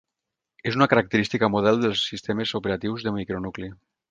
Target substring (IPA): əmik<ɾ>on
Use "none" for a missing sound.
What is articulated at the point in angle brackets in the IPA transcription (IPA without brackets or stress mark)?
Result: ɾ